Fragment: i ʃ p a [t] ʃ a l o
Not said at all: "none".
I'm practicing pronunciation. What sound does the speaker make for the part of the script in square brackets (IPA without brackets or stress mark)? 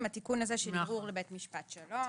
t